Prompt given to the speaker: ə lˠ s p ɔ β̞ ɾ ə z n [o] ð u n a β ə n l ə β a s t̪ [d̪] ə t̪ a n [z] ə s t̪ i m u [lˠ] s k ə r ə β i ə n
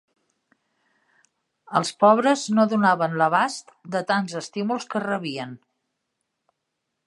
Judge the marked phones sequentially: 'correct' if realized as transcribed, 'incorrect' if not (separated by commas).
correct, correct, correct, correct